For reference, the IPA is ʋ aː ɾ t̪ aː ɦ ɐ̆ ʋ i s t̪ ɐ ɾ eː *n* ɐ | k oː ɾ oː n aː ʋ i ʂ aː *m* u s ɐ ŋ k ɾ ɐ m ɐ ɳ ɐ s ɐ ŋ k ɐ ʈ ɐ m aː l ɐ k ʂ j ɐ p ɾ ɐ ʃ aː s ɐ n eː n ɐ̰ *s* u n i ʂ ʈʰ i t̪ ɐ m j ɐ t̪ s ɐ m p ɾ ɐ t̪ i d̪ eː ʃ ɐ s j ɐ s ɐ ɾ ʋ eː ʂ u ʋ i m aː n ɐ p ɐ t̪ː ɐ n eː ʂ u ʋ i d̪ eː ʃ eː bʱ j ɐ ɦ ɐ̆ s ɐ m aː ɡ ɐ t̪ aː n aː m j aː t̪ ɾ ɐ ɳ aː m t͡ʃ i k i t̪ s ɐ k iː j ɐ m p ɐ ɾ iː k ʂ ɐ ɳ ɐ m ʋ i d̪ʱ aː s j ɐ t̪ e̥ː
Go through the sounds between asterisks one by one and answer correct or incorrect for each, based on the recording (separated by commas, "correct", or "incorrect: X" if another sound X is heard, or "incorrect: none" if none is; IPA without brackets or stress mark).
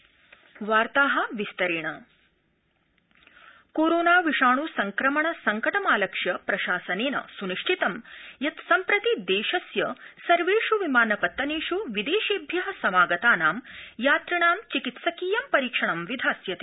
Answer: incorrect: ɳ, incorrect: ɳ, correct